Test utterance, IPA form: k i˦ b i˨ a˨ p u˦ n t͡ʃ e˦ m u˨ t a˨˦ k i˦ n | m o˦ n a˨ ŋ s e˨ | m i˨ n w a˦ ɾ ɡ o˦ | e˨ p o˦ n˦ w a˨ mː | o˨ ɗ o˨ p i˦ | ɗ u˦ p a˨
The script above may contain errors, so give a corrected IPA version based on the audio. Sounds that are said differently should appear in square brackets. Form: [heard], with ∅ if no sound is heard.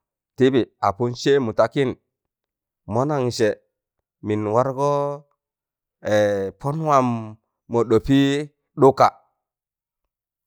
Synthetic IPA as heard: [t] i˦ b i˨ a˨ p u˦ n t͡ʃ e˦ m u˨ t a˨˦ k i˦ n | m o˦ n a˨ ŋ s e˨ | m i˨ n w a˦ ɾ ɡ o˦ | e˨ p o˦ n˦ w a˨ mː | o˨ ɗ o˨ p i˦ | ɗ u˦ [k] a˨